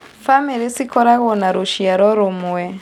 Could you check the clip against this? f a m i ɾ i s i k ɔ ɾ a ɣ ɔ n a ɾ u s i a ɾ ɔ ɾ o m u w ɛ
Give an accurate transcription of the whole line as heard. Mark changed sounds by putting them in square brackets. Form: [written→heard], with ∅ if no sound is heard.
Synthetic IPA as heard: f a m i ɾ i s i k ɔ ɾ a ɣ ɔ n a ɾ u [s→ʃ] i a ɾ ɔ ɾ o m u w ɛ